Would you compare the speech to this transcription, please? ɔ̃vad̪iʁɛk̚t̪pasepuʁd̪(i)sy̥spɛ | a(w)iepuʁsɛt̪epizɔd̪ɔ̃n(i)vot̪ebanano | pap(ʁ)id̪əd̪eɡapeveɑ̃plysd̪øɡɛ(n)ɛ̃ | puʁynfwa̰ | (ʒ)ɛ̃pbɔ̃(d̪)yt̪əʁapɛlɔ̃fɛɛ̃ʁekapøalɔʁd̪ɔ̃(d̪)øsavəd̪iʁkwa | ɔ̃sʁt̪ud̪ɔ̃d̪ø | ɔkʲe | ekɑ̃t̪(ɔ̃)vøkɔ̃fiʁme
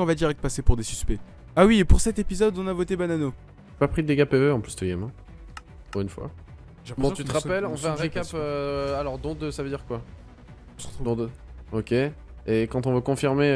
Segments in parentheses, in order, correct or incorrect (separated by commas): incorrect, correct, incorrect, incorrect, incorrect, correct, incorrect, correct, correct